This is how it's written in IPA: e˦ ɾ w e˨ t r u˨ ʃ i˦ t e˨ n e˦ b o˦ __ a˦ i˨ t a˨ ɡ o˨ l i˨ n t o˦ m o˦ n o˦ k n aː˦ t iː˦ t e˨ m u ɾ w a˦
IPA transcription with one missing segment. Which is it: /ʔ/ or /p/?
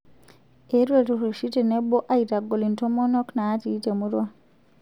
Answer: ʔ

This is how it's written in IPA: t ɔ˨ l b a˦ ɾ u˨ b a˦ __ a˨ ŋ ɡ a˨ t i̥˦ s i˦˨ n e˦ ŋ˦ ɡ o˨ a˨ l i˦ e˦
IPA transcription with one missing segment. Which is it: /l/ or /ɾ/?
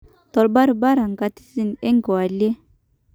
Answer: ɾ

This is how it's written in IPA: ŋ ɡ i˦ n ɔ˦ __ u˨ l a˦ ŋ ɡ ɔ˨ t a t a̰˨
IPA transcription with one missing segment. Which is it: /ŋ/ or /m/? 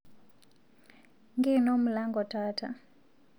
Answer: m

